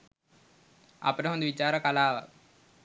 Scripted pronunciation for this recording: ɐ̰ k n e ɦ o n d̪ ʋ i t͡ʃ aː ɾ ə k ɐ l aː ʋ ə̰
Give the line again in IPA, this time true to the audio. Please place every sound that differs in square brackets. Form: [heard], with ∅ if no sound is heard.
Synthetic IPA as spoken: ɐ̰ [p] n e ɦ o n d̪ ʋ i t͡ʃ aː ɾ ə k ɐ l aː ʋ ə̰